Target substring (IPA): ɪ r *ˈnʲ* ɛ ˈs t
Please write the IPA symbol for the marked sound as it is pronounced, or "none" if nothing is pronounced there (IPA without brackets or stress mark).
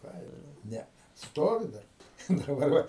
nʲ